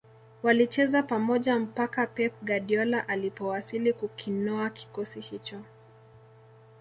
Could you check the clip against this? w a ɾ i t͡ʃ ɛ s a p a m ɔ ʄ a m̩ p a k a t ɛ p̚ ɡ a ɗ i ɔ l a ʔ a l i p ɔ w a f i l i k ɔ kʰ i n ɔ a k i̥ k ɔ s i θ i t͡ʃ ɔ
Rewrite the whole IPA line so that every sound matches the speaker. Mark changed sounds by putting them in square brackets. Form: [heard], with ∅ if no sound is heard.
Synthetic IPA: w a [l] i t͡ʃ ɛ [z] a p a m ɔ ʄ a m̩ p a k a [p] ɛ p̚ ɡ a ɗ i ɔ l a ʔ a l i p ɔ w a [s] i l i k [u] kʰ i n ɔ a k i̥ k ɔ s i [h] i t͡ʃ ɔ